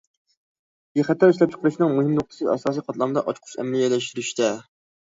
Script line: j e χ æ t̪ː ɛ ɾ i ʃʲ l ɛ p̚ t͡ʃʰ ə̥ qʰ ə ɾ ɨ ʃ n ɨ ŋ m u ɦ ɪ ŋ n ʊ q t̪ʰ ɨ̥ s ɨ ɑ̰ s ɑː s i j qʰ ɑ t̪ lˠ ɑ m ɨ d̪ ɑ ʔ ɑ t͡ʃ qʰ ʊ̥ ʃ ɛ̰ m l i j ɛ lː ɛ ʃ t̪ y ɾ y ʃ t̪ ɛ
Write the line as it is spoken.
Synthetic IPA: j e χ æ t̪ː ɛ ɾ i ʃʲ l ɛ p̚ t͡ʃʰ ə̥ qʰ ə ɾ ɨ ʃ n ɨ ŋ m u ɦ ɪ m n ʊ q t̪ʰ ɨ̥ s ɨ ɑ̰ s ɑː s i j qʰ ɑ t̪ lˠ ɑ m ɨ d̪ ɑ ʔ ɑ t͡ʃ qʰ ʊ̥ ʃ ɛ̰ m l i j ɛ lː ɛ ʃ t̪ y ɾ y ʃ t̪ ɛ